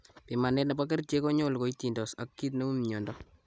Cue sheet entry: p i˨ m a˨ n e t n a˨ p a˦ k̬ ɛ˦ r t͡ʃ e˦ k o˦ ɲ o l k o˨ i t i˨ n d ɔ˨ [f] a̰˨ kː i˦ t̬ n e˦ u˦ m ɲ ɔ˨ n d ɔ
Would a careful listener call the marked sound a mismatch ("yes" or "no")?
yes